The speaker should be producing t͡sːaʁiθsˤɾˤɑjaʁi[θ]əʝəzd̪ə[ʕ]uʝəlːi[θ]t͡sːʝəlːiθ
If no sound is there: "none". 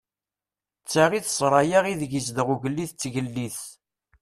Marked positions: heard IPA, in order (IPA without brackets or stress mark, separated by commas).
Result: ð, ʁ, θ